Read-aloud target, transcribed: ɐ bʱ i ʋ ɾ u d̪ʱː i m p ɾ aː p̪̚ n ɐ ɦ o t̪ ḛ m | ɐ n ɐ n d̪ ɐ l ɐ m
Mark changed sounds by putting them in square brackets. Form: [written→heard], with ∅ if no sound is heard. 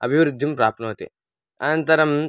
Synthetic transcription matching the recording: ɐ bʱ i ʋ ɾ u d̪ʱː i m p ɾ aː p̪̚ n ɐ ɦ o t̪ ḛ [m→∅] | ɐ n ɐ n [d̪→t̪] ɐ [l→ɾ] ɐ m